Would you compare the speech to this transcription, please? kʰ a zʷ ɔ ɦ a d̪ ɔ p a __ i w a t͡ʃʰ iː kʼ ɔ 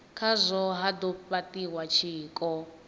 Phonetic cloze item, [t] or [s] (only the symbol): t